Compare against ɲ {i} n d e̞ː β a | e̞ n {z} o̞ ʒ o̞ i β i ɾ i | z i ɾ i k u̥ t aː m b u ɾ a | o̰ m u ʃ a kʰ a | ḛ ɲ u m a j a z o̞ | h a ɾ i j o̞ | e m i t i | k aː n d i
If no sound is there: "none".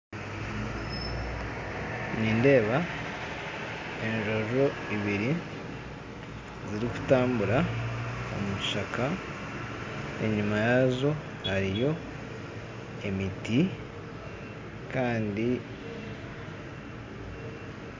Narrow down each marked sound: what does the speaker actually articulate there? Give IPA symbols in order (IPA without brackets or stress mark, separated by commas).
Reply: iː, ʒ